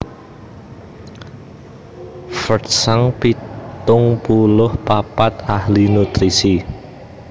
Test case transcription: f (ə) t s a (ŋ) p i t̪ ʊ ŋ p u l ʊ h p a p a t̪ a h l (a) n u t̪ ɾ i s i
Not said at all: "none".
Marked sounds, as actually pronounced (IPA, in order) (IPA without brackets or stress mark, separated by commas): ə, ŋ, i